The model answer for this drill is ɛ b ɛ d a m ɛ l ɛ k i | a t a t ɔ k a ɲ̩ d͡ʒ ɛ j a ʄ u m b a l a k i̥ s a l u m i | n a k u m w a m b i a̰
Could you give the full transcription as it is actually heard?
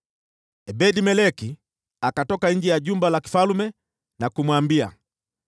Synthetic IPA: ɛ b ɛ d i m ɛ l ɛ k i | a k a t ɔ k a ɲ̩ d͡ʒ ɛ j a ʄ u m b a l a k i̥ f a l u m ɛ | n a k u m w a m b i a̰